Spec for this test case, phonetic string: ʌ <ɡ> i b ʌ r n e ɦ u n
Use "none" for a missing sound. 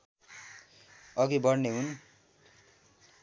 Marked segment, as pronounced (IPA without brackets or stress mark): ɡ